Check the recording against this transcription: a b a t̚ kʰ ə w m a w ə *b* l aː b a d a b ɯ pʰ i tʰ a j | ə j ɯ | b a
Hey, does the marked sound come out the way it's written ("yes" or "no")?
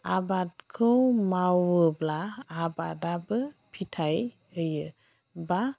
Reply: yes